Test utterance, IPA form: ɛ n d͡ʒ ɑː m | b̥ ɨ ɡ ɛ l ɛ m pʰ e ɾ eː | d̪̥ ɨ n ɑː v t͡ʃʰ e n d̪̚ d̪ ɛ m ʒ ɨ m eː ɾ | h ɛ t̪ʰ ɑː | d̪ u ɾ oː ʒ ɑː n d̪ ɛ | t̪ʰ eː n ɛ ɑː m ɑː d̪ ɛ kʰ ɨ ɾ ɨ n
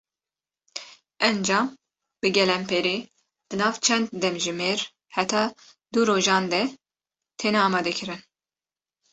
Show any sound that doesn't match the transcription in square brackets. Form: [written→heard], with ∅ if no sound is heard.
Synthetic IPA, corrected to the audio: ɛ n d͡ʒ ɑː m | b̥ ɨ ɡ ɛ l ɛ m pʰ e ɾ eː | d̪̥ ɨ n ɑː v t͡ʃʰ [e→ɛ] n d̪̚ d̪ ɛ m ʒ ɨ m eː ɾ | h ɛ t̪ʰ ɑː | d̪ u ɾ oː ʒ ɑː n d̪ ɛ | t̪ʰ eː n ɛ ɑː m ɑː d̪ ɛ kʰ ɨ ɾ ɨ n